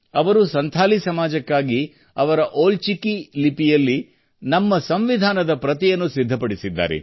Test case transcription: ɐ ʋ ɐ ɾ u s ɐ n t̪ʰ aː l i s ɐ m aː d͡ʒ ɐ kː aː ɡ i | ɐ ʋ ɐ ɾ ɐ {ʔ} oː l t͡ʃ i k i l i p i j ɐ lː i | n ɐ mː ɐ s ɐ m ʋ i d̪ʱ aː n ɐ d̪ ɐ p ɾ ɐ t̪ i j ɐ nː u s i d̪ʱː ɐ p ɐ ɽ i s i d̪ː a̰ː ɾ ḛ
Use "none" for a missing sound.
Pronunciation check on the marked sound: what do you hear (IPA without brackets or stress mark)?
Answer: ʔ